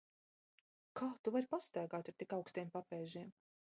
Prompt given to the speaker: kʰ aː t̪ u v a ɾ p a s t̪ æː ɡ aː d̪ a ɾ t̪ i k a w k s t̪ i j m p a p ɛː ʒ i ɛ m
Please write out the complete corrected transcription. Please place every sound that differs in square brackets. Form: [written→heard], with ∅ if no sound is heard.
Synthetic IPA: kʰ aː t̪ u v a ɾ p a s t̪ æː ɡ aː [d̪→t̪] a ɾ t̪ i k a w k s t̪ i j m p a p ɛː ʒ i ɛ m